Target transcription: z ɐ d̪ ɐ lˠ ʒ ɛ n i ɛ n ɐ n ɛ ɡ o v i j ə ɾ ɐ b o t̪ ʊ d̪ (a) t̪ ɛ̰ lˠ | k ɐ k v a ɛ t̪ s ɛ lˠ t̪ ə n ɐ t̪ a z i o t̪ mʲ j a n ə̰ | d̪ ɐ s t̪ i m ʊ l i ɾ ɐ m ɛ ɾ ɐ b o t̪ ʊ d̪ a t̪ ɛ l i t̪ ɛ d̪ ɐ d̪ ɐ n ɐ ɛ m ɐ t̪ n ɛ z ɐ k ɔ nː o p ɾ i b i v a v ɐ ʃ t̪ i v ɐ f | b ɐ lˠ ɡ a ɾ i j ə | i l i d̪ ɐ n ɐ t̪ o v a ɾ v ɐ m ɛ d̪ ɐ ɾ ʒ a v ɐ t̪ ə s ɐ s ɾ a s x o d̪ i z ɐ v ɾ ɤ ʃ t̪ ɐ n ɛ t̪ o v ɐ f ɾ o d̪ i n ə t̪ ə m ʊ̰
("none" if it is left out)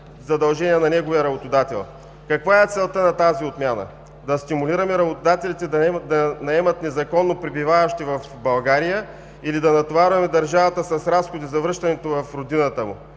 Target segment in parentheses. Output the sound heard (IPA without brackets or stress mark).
a